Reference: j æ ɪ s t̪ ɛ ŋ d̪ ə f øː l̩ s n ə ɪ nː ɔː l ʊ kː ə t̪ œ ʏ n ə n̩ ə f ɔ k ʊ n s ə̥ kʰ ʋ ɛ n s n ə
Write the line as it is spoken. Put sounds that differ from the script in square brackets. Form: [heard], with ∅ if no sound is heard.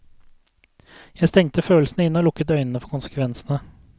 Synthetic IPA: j æ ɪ s t̪ ɛ ŋ [t̪] ə f øː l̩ s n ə ɪ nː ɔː l ʊ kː ə t̪ œ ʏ n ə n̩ ə f ɔ k ʊ n s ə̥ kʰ ʋ ɛ n s n ə